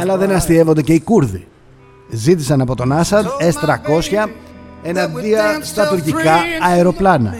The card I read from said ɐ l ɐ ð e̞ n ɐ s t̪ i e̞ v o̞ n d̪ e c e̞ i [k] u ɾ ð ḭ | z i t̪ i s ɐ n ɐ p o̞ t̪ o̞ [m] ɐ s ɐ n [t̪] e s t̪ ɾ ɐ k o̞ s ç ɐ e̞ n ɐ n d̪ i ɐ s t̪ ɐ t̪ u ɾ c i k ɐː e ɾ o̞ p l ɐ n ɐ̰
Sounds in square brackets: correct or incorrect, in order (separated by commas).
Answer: correct, incorrect, incorrect